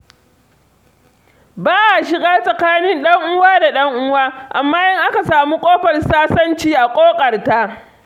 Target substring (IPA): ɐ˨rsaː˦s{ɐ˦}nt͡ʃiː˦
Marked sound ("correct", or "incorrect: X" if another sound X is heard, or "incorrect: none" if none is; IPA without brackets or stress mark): correct